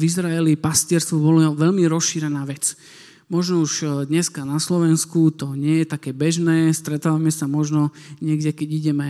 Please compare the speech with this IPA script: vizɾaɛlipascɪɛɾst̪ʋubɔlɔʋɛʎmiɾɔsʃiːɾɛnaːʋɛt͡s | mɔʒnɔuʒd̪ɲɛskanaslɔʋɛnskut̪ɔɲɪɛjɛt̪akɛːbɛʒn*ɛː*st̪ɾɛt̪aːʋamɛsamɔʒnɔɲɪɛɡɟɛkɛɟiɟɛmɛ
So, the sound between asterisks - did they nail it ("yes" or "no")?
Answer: yes